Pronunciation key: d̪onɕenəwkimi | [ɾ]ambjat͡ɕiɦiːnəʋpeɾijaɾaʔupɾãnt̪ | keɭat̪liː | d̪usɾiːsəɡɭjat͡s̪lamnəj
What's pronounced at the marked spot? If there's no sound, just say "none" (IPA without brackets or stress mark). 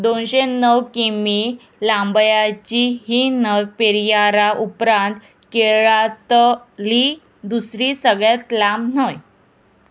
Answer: l